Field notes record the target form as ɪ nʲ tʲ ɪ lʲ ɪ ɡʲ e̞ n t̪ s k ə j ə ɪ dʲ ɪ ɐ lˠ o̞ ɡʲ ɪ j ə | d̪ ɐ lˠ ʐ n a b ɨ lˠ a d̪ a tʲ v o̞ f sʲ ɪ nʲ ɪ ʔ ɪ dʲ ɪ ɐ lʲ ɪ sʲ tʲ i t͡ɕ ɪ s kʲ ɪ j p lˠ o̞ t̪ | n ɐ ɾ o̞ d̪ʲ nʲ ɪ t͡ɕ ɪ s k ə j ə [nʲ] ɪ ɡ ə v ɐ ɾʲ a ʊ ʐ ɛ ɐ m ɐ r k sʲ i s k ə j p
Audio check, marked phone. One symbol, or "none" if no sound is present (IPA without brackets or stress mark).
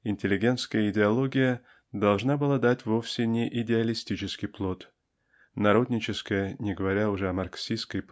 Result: nʲ